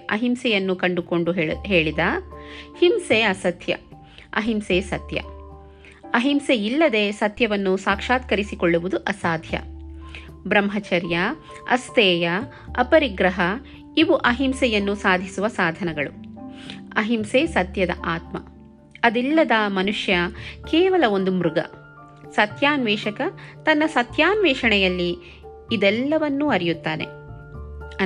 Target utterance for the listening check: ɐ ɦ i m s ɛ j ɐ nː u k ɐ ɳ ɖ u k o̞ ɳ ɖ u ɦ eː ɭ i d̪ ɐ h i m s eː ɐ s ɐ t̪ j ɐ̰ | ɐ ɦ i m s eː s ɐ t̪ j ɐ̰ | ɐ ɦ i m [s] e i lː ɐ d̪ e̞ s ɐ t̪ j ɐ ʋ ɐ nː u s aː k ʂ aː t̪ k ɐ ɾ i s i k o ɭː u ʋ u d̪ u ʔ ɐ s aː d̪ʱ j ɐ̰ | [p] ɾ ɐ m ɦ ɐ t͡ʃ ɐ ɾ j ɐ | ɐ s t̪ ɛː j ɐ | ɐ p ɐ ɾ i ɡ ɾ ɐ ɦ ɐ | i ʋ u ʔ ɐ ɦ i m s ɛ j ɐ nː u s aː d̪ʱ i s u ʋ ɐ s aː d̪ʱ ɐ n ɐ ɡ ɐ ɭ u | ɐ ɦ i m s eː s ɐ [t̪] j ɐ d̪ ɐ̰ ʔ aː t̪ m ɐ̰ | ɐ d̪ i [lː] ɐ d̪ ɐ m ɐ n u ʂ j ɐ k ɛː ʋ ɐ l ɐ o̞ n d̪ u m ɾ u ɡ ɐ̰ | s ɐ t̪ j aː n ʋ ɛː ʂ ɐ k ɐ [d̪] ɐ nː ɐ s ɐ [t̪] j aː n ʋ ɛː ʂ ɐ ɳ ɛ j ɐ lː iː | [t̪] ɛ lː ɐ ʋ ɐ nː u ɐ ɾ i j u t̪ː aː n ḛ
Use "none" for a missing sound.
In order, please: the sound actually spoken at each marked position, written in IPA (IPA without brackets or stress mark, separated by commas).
s, b, t̪, lː, t̪, t̪, d̪